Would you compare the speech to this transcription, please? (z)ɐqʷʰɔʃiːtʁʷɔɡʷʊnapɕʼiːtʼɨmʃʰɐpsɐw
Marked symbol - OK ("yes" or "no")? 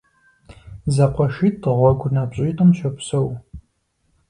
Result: yes